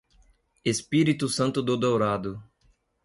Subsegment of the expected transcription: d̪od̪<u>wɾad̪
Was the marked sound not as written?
yes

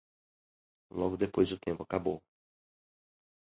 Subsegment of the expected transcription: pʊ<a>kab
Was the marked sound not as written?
no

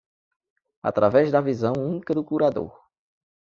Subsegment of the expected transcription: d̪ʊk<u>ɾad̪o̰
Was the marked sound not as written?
no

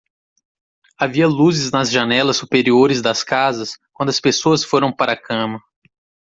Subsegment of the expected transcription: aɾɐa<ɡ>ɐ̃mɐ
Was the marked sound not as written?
yes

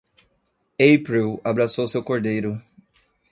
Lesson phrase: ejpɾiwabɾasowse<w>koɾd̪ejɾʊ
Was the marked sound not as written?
no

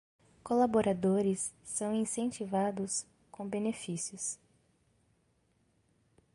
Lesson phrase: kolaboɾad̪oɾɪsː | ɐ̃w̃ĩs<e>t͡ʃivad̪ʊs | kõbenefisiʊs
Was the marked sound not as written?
yes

